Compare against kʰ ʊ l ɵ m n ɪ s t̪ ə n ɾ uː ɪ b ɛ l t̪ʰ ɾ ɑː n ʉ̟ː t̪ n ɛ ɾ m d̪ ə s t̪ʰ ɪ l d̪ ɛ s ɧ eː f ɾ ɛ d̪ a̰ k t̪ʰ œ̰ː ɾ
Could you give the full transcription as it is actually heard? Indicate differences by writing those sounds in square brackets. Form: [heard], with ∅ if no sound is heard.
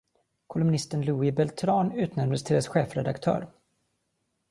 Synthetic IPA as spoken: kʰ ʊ l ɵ m n ɪ s t̪ ə n [l] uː ɪ b ɛ l t̪ʰ ɾ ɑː n ʉ̟ː t̪ n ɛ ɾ m d̪ ə s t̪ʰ ɪ l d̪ ɛ s ɧ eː f ɾ ɛ d̪ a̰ k t̪ʰ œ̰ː ɾ

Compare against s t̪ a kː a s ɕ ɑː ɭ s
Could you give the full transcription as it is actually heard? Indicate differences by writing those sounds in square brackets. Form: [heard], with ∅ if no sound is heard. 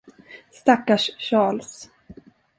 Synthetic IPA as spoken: s t̪ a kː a [ʂ] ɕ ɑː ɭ s

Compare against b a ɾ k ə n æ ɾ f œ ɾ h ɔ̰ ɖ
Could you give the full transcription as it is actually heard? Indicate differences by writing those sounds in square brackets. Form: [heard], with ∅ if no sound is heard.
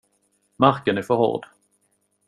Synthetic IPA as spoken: [m] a ɾ k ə n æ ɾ f œ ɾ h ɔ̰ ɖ

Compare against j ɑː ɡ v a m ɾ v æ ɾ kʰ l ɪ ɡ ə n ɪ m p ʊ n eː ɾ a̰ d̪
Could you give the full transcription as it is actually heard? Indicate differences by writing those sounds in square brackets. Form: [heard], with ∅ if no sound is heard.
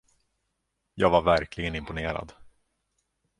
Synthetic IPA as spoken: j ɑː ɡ v a [∅] ɾ v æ ɾ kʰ l ɪ ɡ ə n ɪ m p ʊ n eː ɾ a̰ d̪

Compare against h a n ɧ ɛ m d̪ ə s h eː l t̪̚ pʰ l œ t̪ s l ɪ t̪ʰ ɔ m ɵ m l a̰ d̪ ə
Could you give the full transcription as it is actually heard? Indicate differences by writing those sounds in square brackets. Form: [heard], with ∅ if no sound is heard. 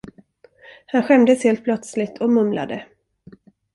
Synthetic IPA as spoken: h a n ɧ ɛ m d̪ ə s h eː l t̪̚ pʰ l œ t̪ s l ɪ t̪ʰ ɔ m ɵ m l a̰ d̪ ə

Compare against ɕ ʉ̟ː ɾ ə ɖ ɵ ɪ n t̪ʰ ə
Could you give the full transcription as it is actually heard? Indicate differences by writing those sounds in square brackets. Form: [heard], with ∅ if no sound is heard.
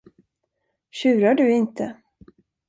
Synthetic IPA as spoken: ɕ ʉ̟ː ɾ [a] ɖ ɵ ɪ n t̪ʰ ə

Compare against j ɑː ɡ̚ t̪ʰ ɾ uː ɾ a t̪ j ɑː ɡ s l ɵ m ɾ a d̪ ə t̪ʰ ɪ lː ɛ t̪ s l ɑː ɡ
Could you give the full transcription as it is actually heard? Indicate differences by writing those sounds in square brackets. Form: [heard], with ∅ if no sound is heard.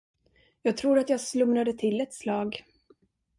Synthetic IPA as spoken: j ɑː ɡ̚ t̪ʰ ɾ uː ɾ a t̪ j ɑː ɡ s l ɵ m ɾ a d̪ ə t̪ʰ ɪ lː ɛ t̪ s l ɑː ɡ

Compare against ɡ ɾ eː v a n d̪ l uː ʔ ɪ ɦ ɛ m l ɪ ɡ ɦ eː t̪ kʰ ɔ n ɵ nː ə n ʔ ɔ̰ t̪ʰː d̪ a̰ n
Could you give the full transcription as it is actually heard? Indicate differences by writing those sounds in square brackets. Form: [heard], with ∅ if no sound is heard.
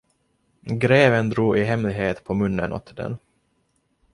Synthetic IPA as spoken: ɡ ɾ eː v [ə] n d̪ [ɾ] uː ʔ ɪ ɦ ɛ m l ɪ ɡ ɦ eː t̪ [pʰ] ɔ [m] ɵ nː ə n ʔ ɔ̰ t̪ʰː d̪ [ɛ̰] n

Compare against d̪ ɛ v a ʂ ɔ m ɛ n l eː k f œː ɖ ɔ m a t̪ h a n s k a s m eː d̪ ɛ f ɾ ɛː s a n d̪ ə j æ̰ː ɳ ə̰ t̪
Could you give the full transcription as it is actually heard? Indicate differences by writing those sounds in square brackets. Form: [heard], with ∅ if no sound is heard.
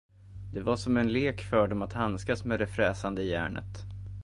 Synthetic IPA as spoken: d̪ ɛ v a ʂ ɔ m ɛ n l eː k f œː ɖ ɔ m a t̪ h a n s k a s m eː d̪ ɛ f ɾ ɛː s a n d̪ ə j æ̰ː ɳ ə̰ t̪

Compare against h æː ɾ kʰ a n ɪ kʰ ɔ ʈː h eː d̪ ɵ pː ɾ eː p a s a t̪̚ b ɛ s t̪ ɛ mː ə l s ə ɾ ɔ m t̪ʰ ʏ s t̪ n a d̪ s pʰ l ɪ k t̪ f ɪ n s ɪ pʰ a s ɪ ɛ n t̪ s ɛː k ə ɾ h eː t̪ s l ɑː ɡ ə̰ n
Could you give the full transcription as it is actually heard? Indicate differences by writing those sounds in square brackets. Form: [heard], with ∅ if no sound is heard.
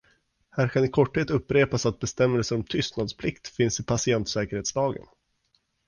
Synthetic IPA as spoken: h æː ɾ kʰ a n ɪ kʰ ɔ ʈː h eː [t̪] ɵ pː ɾ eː p a s a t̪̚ b ɛ s t̪ ɛ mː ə l s ə ɾ ɔ m t̪ʰ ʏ s t̪ n a d̪ s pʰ l ɪ k t̪ f ɪ n s ɪ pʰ a s ɪ ɛ n t̪ s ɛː k ə ɾ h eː t̪ s l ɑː ɡ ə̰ n

